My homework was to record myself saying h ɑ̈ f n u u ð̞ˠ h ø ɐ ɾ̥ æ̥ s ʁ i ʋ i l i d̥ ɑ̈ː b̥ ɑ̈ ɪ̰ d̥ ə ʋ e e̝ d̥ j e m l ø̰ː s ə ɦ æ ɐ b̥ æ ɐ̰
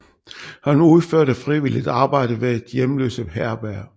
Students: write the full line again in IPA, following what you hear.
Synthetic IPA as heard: h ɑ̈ n u u ð̞ˠ f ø ɐ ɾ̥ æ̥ f ʁ i ʋ i l i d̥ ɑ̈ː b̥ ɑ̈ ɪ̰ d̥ ə ʋ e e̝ d̥ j e m l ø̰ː s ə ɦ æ ɐ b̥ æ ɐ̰